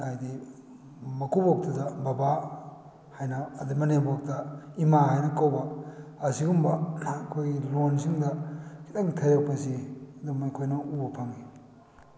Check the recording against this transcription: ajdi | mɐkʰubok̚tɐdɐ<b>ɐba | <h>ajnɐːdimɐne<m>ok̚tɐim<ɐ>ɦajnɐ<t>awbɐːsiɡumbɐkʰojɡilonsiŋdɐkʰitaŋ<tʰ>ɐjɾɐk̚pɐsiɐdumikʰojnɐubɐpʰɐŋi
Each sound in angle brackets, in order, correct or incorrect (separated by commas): correct, correct, incorrect, incorrect, incorrect, correct